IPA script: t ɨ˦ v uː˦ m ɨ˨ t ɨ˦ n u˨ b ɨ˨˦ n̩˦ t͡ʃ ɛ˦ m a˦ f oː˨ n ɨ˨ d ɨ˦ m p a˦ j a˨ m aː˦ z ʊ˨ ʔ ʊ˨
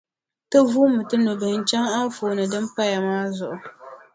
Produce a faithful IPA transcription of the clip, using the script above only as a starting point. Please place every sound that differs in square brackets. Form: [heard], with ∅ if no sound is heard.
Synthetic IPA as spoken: t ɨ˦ v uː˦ m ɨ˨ t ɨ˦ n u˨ b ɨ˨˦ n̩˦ t͡ʃ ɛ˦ [ŋ] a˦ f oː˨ n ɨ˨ d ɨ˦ m p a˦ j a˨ m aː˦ z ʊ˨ ʔ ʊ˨